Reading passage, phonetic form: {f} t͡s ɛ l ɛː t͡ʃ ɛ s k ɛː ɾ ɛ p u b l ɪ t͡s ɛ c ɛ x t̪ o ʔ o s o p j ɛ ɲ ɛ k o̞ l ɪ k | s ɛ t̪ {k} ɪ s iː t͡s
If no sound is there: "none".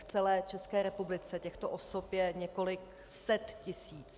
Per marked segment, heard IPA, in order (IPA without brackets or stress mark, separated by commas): f, c